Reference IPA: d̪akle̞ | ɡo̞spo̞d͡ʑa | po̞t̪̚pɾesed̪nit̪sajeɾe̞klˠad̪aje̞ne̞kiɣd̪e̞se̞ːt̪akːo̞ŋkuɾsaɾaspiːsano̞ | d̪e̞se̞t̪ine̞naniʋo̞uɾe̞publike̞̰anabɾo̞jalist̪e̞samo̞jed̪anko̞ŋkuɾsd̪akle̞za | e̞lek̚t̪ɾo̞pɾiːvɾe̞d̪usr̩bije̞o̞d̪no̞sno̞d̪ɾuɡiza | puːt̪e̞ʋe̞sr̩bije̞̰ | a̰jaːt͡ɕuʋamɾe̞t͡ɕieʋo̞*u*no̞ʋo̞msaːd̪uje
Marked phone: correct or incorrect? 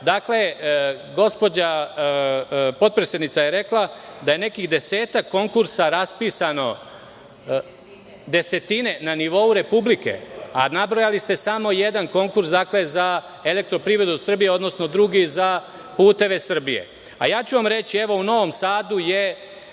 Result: correct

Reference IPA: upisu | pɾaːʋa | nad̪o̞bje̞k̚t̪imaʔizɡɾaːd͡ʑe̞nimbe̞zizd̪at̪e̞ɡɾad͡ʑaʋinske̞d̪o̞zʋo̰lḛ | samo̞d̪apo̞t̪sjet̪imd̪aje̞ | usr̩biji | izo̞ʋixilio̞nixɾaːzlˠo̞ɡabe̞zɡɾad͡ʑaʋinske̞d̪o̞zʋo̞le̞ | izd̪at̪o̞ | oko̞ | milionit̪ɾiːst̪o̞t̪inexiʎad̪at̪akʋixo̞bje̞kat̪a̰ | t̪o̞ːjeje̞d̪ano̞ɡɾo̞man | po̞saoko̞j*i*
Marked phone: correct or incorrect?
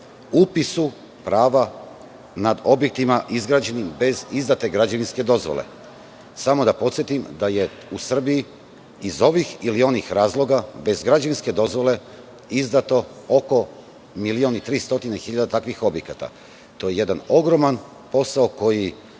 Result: correct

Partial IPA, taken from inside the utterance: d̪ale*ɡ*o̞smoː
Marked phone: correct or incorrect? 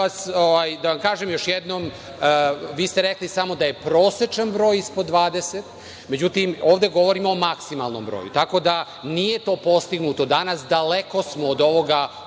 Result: incorrect: k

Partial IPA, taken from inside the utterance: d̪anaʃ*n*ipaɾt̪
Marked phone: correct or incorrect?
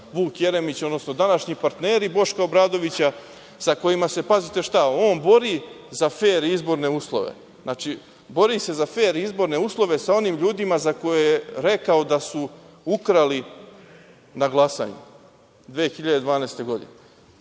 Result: incorrect: ɲ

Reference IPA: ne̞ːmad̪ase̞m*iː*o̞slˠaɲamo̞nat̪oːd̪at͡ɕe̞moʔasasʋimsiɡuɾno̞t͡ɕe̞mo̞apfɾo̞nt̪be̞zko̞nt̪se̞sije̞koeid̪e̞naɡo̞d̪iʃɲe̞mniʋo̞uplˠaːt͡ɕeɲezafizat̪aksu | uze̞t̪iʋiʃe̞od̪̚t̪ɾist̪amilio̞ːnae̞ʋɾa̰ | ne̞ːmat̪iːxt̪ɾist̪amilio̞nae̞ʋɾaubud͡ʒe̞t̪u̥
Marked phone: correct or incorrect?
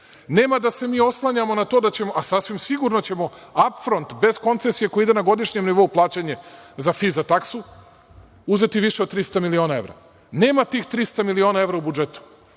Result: correct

